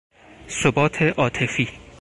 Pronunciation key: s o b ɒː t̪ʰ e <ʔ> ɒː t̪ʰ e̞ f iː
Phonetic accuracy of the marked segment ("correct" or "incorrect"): correct